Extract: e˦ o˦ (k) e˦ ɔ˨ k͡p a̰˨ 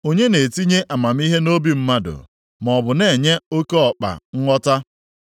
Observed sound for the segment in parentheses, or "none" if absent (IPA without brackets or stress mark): k